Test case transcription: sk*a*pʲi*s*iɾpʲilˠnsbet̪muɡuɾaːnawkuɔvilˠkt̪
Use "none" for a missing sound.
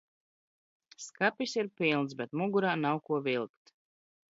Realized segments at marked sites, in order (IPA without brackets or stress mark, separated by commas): a, s